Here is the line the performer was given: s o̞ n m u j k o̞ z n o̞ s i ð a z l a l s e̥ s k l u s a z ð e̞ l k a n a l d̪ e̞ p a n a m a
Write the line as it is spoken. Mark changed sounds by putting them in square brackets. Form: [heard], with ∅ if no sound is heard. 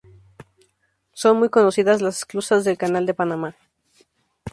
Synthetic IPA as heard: s o̞ n m u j k o̞ [∅] n o̞ s i ð a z l a [∅] s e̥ s k l u s a z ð e̞ l k a n a l d̪ e̞ p a n a m a